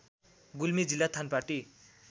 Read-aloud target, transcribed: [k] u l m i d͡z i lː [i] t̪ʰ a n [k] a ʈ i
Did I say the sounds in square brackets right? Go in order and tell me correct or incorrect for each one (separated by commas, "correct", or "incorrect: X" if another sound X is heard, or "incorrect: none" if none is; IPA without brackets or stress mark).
incorrect: ɡ, incorrect: a, incorrect: p